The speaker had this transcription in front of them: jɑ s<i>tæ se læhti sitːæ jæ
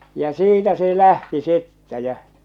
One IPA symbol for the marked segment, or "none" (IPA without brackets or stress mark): iː